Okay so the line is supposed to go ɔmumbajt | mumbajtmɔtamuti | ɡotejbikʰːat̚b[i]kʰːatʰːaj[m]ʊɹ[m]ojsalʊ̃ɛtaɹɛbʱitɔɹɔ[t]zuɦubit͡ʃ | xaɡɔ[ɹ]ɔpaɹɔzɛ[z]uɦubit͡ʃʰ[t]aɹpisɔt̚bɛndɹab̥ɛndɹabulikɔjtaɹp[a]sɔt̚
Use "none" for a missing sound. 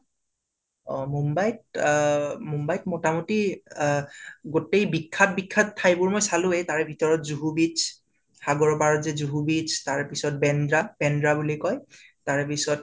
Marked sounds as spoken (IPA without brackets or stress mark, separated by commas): i, b, m, t, ɹ, z, t, i